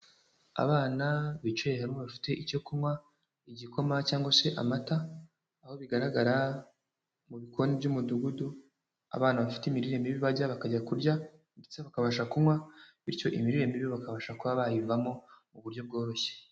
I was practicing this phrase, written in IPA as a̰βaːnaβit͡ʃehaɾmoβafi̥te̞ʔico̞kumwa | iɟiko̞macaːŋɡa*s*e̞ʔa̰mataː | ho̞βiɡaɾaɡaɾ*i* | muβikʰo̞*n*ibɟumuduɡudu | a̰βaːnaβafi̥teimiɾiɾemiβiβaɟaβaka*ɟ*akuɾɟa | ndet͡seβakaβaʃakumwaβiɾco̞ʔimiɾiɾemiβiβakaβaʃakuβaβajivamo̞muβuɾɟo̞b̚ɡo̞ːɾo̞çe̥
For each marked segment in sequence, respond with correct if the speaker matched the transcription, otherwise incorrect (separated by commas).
correct, incorrect, correct, correct